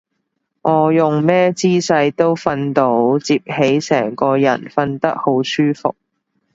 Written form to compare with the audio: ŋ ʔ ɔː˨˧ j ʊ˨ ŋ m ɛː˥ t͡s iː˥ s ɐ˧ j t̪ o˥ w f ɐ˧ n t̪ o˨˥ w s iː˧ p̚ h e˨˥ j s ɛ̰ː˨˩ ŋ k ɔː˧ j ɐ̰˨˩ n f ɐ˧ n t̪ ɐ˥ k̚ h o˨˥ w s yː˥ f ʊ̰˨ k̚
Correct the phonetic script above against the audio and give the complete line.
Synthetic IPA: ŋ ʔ ɔː˨˧ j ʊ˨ ŋ m ɛː˥ t͡s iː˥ s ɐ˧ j t̪ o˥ w f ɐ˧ n t̪ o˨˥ w t͡s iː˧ p̚ h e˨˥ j s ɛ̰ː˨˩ ŋ k ɔː˧ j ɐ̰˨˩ n f ɐ˧ n t̪ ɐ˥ k̚ h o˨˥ w s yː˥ f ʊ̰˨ k̚

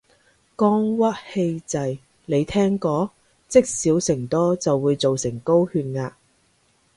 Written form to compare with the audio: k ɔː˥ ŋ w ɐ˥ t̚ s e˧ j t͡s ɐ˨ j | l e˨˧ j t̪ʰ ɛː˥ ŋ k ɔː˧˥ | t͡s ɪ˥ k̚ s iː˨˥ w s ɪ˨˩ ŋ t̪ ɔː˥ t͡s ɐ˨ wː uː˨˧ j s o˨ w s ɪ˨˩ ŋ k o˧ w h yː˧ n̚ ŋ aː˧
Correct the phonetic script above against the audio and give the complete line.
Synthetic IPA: k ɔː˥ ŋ w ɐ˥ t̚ h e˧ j t͡s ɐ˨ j | l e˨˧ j t̪ʰ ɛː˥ ŋ k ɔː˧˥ | t͡s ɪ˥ k̚ s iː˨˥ w s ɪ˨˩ ŋ t̪ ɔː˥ t͡s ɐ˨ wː uː˨˧ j t͡s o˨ w s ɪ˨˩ ŋ k o˥ w h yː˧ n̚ ŋ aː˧

